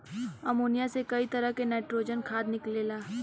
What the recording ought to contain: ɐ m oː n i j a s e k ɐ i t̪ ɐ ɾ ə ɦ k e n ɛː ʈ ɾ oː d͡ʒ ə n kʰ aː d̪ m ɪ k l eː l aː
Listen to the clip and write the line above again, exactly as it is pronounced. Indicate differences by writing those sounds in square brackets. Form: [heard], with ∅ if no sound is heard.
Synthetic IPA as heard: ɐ m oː n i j a s e k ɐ i t̪ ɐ ɾ ə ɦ k e n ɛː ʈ ɾ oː d͡ʒ ə n kʰ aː d̪ [n] ɪ k l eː l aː